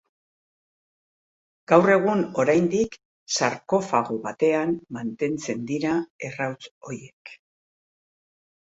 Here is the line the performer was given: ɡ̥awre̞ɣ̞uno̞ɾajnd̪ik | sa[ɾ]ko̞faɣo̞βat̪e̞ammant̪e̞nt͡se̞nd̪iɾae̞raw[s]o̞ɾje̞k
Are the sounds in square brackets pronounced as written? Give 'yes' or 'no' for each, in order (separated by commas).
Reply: yes, no